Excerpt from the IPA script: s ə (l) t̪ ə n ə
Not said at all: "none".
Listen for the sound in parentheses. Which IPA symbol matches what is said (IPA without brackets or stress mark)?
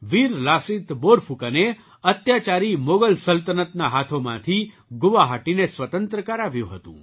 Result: l